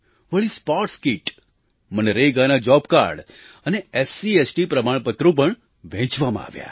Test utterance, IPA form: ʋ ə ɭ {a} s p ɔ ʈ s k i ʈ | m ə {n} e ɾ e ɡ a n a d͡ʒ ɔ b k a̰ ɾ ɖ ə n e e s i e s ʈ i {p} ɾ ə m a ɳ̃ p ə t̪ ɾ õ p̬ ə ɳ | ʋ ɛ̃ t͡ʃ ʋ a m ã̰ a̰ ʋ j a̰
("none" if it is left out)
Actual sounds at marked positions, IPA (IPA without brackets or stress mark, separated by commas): i, n, p